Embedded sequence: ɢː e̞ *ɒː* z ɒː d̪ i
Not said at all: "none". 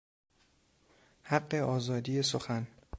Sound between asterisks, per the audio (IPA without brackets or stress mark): ɒː